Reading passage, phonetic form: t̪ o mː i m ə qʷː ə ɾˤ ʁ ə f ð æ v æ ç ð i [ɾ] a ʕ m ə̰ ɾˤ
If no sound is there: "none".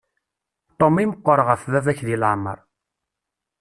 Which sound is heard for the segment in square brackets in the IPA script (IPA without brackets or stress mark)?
l